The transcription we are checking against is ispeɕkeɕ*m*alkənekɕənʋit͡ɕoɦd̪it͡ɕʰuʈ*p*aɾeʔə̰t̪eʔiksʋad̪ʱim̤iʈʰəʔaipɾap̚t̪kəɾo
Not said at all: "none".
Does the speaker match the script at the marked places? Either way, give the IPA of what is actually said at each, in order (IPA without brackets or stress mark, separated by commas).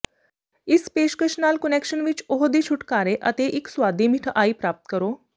n, k